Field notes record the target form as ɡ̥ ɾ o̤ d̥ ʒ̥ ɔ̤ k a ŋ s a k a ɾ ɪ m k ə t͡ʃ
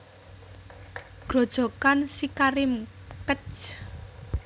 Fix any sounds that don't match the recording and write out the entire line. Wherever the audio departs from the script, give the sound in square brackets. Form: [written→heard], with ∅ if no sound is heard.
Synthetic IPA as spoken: ɡ̥ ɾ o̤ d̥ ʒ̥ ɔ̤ k a [ŋ→n] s [a→i] k a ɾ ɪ m k ə t͡ʃ